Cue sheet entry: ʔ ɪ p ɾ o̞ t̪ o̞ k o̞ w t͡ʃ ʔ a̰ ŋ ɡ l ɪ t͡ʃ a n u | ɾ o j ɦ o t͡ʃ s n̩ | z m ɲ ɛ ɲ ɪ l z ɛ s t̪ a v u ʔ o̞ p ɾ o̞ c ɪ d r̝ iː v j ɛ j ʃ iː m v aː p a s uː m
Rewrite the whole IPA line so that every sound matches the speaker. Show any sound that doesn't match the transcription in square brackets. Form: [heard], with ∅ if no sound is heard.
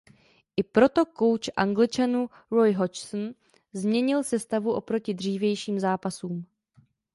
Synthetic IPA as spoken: ʔ ɪ p ɾ o̞ t̪ o̞ k o̞ w t͡ʃ ʔ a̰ ŋ ɡ l ɪ t͡ʃ a n u | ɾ o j ɦ o t͡ʃ s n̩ | z m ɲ ɛ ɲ ɪ l [s] ɛ s t̪ a v u ʔ o̞ p ɾ o̞ c ɪ d r̝ iː v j ɛ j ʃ iː m [z] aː p a s uː m